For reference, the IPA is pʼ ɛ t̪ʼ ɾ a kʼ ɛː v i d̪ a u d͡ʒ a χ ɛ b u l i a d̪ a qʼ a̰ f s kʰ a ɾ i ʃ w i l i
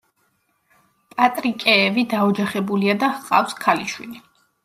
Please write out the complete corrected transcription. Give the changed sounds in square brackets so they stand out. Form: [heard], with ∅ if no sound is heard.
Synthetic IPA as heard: pʼ [a] t̪ʼ ɾ [i] kʼ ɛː v i d̪ a [ɔ] d͡ʒ a χ ɛ b u l i a d̪ a qʼ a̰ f s kʰ a [l] i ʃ w i l i